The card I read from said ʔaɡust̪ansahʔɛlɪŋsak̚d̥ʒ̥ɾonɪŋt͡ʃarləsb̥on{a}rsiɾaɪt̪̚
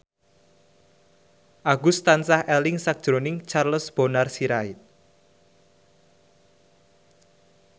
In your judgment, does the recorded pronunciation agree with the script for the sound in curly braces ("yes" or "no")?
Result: yes